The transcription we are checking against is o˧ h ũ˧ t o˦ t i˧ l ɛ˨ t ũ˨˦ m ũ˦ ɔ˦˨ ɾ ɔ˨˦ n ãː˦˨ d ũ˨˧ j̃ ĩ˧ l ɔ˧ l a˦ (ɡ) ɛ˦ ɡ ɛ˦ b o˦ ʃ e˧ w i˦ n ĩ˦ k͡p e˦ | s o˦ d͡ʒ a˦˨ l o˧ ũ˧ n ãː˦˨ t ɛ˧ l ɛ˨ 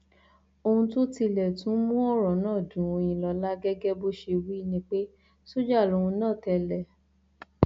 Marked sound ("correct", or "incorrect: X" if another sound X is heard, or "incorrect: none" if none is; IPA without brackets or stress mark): correct